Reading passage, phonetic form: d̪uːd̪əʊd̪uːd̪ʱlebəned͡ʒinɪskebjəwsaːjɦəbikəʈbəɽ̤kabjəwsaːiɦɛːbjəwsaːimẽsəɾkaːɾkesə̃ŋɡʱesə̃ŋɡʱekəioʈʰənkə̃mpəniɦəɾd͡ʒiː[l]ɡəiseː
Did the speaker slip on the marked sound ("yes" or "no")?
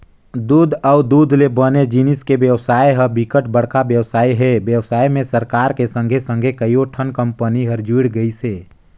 yes